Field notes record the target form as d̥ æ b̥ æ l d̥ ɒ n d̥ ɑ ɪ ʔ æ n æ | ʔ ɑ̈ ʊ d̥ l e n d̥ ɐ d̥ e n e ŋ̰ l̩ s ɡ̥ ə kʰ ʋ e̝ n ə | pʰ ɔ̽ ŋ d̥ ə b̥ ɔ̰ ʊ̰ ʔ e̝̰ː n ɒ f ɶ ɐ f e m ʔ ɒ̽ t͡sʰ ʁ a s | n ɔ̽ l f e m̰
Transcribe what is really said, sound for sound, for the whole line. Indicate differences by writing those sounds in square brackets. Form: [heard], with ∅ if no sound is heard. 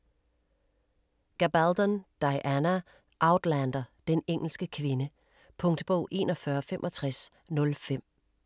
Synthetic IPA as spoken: [ɡ̥] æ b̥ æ l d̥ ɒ n d̥ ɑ ɪ ʔ æ n æ | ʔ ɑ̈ ʊ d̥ l [æ] n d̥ ɐ d̥ e n e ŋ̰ l̩ s ɡ̥ ə kʰ ʋ e̝ n ə | pʰ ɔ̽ ŋ d̥ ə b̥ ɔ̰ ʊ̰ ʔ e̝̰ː n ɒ f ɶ ɐ f e m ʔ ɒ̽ t͡sʰ ʁ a s | n ɔ̽ l f e m̰